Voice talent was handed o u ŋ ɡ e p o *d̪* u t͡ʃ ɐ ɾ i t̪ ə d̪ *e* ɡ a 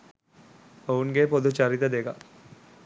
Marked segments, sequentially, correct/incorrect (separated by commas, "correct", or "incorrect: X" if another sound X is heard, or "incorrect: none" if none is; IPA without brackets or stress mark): correct, correct